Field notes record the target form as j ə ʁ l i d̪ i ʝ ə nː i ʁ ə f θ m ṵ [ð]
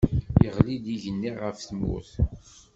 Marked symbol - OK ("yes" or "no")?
no